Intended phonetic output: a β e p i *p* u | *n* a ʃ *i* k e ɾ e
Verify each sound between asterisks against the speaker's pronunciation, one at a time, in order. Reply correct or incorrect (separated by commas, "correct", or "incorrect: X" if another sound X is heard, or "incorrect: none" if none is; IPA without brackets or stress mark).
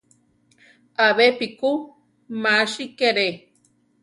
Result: incorrect: k, incorrect: m, correct